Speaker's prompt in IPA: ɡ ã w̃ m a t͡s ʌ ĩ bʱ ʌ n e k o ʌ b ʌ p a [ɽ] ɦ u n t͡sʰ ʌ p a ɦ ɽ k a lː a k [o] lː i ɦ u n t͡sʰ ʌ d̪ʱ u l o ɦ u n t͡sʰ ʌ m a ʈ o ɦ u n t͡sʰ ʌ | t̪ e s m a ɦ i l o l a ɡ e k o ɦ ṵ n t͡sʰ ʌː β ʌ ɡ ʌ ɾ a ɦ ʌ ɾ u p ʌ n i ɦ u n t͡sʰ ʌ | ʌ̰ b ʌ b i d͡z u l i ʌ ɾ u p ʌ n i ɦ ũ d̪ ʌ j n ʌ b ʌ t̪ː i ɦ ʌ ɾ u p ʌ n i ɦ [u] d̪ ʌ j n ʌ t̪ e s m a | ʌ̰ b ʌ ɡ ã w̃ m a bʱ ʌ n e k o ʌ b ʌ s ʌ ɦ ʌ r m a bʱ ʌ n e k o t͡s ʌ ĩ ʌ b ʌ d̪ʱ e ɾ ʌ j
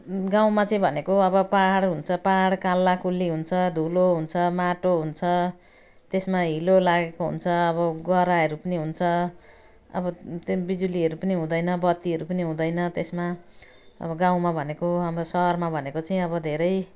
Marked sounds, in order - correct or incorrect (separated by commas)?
correct, incorrect, incorrect